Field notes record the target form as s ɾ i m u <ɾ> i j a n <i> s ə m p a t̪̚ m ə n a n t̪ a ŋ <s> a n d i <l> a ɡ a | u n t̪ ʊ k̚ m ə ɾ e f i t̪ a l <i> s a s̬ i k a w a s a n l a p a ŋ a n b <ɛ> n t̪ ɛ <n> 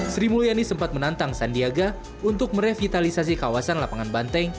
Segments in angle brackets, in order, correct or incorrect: incorrect, correct, correct, incorrect, correct, incorrect, incorrect

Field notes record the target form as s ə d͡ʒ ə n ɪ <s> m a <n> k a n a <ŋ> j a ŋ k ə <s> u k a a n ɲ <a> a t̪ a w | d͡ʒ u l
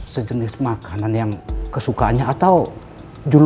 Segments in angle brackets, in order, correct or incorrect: correct, incorrect, incorrect, correct, correct

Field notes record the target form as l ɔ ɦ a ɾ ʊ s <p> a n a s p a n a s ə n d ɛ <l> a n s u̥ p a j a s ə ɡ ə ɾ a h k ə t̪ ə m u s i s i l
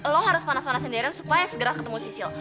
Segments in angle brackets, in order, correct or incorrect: correct, incorrect

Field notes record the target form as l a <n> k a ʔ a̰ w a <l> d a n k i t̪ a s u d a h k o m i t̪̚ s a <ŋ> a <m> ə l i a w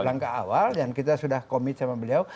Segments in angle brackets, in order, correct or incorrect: incorrect, correct, incorrect, incorrect

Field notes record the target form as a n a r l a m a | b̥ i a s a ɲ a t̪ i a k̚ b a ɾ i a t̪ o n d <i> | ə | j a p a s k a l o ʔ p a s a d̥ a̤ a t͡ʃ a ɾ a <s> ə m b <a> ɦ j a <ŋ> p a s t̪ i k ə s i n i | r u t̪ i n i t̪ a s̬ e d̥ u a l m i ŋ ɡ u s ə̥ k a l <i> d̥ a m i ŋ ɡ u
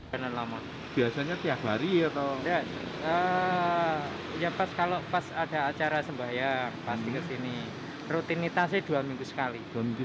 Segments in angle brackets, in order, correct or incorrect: incorrect, correct, correct, correct, correct

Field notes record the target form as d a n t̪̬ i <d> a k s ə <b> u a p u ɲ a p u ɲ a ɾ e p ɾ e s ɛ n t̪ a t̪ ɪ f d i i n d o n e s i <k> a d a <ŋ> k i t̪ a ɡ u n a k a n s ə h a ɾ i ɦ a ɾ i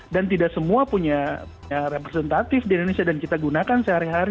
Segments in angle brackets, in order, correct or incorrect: correct, incorrect, incorrect, incorrect

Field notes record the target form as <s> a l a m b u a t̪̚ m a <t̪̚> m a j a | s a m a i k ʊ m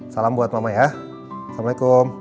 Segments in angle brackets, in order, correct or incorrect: correct, incorrect

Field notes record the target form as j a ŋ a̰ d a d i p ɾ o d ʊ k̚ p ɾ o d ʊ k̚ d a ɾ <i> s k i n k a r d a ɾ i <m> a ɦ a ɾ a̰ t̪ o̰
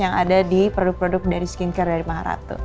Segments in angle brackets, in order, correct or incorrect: correct, correct

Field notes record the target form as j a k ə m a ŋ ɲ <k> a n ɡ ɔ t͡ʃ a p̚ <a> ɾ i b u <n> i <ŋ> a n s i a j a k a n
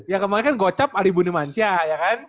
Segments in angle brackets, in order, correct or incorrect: correct, correct, correct, incorrect

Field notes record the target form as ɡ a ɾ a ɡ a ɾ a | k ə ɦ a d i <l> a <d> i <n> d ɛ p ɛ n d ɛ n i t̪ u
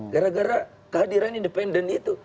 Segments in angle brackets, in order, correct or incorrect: incorrect, incorrect, correct

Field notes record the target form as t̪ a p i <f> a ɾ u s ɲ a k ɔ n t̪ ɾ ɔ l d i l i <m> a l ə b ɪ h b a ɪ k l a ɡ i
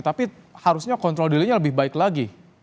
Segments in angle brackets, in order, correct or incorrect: incorrect, incorrect

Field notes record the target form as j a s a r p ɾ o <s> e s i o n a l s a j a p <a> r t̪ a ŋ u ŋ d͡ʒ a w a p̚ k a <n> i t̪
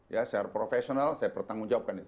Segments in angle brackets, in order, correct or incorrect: incorrect, incorrect, correct

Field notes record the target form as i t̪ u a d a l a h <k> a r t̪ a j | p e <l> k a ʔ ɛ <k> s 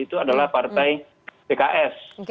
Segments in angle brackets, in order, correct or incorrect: incorrect, incorrect, incorrect

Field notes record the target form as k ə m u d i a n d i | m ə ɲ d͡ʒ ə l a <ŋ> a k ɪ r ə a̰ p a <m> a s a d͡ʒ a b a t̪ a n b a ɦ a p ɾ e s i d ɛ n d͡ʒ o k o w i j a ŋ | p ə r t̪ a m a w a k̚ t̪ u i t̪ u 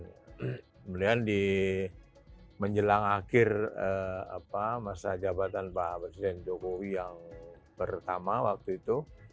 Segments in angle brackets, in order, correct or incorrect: correct, correct

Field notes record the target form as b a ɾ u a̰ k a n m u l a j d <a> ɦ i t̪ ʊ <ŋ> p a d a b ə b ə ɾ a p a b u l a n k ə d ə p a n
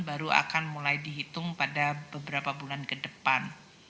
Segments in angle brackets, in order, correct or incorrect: incorrect, correct

